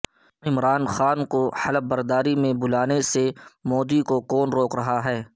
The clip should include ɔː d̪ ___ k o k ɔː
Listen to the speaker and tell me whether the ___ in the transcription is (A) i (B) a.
A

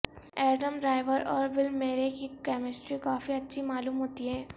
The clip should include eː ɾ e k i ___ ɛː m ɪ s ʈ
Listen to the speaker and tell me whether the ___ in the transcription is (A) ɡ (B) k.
B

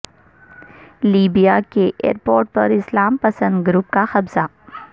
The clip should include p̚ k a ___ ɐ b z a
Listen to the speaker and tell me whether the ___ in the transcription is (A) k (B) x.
B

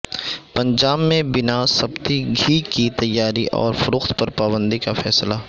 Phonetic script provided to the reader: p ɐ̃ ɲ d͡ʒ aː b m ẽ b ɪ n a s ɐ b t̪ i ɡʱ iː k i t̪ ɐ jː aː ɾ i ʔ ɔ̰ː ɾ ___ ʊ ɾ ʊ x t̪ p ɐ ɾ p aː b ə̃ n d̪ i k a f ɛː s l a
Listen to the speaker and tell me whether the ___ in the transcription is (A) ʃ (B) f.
B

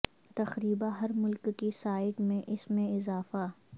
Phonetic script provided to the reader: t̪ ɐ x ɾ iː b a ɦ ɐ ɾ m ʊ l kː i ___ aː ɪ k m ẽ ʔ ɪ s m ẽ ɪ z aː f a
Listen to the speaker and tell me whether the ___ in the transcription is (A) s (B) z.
A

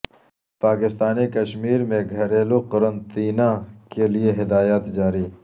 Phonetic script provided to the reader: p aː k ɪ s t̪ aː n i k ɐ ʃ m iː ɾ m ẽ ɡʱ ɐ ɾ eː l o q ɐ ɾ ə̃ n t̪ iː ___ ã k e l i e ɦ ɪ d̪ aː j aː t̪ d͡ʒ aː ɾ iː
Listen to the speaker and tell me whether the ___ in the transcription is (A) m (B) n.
B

